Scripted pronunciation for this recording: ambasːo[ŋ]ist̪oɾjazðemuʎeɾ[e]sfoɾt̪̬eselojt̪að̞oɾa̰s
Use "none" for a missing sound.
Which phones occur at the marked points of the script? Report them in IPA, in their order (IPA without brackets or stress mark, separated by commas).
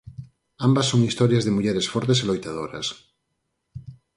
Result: ŋ, e